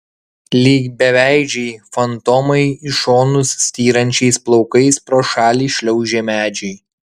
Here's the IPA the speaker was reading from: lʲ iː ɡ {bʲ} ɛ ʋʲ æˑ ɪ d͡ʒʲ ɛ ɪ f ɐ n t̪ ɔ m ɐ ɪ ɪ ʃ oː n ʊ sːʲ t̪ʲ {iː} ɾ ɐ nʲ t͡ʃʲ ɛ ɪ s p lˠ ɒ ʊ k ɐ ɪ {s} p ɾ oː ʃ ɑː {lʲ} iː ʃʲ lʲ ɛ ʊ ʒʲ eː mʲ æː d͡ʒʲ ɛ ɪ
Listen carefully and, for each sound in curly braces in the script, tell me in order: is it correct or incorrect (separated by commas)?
correct, correct, correct, correct